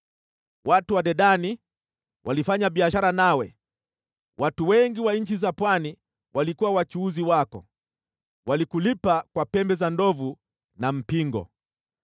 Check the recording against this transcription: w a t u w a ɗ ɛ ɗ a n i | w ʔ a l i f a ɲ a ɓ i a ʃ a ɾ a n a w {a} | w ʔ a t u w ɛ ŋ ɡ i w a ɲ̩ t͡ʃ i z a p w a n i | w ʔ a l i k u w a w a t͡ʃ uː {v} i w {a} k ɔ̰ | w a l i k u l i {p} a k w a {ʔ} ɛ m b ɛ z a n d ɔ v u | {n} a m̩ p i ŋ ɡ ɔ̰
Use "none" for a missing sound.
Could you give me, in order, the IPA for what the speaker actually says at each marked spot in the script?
ɛ, z, a, p, p, n

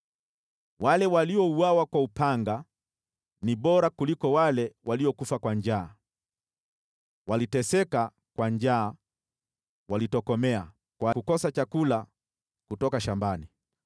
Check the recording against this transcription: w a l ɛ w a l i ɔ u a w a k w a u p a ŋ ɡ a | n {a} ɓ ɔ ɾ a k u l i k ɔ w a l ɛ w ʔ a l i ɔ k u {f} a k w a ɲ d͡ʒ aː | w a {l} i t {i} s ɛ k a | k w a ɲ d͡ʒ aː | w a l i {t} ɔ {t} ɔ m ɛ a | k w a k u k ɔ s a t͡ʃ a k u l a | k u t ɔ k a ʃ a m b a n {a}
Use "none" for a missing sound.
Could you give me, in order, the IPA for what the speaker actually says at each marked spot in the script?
i, f, l, ɛ, t, k, i

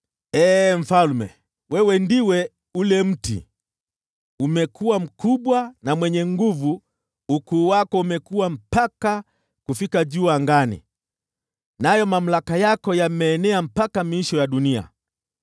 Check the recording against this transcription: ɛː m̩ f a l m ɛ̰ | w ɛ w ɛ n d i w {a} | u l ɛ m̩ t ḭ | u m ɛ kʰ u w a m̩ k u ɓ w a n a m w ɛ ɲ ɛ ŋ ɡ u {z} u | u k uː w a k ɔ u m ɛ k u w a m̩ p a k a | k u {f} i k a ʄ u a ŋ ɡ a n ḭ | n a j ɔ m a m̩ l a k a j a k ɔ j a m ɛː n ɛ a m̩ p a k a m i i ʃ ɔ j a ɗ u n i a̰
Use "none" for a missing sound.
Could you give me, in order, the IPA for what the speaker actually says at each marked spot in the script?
ɛ, v, f

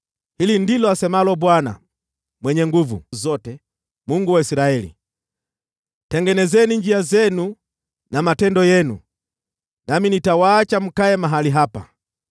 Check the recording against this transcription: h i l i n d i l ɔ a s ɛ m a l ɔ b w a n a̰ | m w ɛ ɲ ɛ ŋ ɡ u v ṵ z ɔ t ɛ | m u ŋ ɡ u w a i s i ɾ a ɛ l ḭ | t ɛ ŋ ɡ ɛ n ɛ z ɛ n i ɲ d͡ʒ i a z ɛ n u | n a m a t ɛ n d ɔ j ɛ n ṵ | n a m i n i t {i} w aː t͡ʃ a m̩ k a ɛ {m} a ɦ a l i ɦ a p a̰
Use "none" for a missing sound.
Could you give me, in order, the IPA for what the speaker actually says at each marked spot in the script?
a, m

